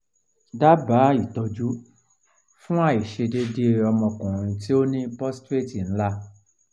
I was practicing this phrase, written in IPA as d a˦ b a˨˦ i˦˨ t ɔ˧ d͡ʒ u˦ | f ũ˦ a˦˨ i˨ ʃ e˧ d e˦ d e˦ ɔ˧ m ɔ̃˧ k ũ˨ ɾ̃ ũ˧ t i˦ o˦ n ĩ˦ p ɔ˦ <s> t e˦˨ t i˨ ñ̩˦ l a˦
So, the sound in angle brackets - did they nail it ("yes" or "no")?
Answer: yes